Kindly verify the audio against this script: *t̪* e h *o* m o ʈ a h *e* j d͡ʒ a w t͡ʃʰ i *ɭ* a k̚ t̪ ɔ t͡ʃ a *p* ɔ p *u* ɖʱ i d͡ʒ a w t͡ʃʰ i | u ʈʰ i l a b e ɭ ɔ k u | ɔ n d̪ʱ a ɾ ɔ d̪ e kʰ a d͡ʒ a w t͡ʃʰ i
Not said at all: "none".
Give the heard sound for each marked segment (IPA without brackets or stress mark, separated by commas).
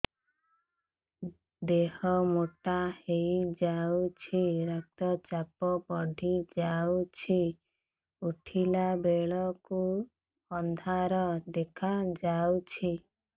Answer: d̪, ɔ, e, ɾ, p, ɔ